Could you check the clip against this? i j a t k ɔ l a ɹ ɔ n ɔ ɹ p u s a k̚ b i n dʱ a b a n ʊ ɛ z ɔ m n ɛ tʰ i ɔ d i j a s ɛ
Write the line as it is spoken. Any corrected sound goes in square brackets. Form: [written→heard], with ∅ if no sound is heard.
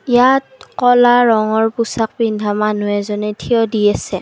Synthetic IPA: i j a t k ɔ l a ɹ ɔ [n→ŋ] ɔ ɹ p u s a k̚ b i n dʱ a [b→m] a n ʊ ɛ z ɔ [m→∅] n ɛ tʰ i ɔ d i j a s ɛ